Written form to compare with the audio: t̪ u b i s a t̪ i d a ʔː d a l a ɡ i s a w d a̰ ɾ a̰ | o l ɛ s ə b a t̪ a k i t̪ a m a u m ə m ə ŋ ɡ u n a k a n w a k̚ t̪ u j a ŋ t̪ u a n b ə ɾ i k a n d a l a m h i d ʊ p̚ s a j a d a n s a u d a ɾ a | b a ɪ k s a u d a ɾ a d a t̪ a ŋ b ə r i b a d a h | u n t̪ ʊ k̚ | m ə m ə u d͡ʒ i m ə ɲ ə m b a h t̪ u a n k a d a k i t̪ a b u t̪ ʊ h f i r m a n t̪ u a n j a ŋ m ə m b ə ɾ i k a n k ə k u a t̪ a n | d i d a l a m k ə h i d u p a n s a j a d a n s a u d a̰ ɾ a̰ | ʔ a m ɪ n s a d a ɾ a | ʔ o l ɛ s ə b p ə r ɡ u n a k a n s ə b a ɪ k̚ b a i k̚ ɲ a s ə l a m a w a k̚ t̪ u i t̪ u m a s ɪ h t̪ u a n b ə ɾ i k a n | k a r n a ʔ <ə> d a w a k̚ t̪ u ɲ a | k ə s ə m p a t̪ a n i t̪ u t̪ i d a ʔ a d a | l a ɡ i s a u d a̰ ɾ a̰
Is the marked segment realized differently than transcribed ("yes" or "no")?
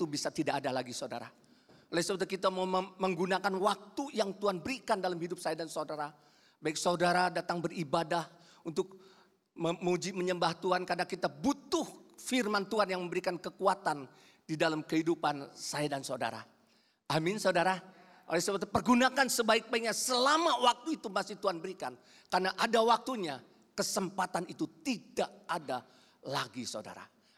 yes